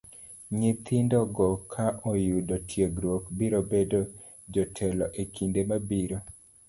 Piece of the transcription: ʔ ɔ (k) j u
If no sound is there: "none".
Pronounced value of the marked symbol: none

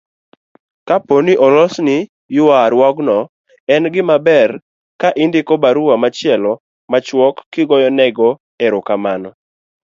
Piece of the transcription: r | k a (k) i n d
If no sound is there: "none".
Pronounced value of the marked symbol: ʔ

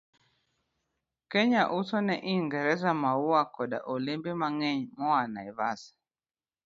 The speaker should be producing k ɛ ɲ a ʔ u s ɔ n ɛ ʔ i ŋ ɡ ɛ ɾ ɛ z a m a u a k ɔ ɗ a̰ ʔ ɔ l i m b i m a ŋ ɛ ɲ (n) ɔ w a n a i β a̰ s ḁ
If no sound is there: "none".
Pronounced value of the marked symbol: m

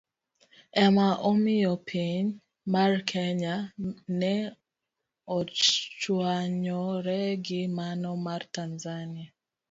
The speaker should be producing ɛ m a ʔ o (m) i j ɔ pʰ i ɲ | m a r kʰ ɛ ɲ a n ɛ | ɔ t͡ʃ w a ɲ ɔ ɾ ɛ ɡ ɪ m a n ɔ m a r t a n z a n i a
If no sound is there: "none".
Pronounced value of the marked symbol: m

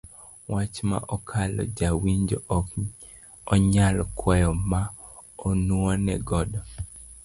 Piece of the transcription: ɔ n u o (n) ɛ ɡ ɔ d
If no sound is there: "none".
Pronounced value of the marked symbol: n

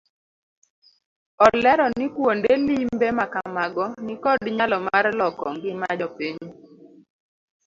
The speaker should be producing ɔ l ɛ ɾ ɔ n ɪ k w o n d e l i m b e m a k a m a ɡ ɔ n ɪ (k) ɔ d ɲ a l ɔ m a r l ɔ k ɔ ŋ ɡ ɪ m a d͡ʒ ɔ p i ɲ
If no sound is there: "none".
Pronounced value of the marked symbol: k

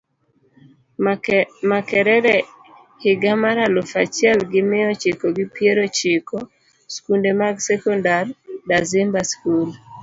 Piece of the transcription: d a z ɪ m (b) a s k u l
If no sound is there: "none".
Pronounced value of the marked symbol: b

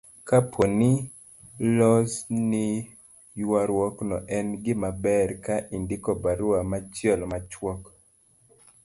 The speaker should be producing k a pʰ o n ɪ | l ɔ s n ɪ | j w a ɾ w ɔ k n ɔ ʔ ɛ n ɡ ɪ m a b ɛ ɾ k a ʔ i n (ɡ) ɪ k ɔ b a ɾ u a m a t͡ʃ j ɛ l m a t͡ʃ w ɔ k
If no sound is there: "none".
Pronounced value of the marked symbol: d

